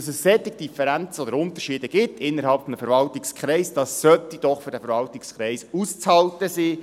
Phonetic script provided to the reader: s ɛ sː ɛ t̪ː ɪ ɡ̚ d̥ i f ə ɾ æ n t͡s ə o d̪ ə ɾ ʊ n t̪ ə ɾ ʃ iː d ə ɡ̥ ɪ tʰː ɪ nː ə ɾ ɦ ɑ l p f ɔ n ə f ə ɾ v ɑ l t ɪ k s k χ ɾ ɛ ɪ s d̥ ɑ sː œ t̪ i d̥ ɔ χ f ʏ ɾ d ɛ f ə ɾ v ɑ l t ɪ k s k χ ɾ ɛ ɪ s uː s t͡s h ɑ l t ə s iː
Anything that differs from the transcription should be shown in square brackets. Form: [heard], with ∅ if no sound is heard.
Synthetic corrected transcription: s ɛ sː ɛ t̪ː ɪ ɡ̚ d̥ i f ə ɾ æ n t͡s ə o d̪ ə ɾ ʊ n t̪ ə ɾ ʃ iː d ə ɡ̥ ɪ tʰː ɪ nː ə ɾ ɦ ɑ l p f ɔ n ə f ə ɾ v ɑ l t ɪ k s k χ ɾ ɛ ɪ s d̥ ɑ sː œ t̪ i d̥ ɔ χ f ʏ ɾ d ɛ f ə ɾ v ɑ l t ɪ k s k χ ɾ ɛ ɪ s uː s t͡s h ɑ l t ə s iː